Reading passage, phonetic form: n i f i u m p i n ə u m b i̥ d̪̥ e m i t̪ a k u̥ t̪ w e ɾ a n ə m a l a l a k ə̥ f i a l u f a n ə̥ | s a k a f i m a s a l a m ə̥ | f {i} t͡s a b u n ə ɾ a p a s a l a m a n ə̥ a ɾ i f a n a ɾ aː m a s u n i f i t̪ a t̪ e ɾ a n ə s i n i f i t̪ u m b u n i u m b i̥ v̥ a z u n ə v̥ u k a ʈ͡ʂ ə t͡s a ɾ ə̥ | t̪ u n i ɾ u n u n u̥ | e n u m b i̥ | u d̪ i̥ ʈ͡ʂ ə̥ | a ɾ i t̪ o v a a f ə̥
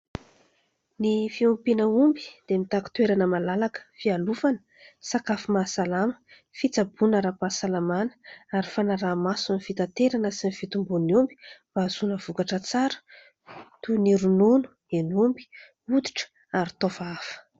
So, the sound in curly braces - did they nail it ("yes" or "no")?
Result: yes